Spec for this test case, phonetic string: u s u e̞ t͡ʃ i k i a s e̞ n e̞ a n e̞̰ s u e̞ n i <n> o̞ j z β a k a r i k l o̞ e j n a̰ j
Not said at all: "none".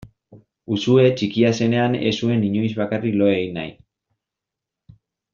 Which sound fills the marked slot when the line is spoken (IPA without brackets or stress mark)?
ɲ